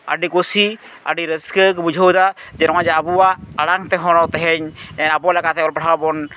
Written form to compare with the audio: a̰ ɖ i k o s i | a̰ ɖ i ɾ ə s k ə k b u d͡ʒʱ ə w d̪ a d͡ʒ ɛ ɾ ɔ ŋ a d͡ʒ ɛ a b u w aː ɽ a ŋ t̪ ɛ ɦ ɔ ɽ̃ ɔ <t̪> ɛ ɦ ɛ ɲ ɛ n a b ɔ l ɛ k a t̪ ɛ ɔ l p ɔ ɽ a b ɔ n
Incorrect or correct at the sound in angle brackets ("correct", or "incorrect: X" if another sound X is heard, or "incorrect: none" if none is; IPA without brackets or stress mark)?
correct